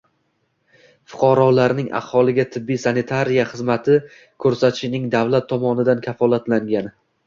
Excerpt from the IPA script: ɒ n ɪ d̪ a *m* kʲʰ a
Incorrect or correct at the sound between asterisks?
incorrect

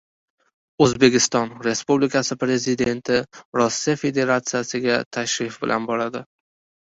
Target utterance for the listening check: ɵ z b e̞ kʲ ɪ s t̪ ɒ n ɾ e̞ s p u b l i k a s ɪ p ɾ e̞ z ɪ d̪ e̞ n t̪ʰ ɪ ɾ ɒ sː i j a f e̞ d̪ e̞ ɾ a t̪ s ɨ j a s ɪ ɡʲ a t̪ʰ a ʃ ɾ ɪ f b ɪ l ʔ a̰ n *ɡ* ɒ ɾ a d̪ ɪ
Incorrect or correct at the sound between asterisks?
incorrect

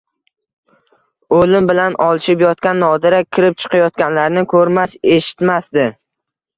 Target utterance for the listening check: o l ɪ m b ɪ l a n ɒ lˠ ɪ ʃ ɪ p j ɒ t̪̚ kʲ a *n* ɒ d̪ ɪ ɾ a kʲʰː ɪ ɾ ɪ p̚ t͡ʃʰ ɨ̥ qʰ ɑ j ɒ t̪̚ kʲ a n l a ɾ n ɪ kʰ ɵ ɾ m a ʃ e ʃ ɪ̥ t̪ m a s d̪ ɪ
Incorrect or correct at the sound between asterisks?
incorrect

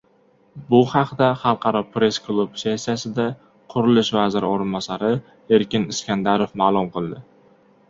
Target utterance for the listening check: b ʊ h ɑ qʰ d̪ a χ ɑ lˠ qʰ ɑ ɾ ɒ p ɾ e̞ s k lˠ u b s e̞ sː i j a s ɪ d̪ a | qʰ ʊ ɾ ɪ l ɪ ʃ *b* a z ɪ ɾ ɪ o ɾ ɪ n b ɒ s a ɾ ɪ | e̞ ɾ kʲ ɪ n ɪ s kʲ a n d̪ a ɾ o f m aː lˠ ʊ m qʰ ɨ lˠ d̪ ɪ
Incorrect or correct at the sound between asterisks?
incorrect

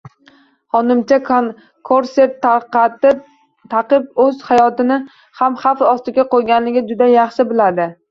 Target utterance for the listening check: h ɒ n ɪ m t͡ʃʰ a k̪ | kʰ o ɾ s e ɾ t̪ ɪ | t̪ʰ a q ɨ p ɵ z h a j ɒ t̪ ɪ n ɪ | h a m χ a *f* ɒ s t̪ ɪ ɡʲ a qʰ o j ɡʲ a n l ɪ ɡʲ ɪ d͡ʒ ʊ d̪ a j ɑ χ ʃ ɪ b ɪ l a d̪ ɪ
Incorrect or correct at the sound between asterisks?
correct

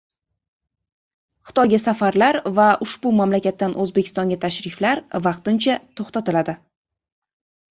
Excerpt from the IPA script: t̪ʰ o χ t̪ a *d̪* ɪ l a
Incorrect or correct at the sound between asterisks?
incorrect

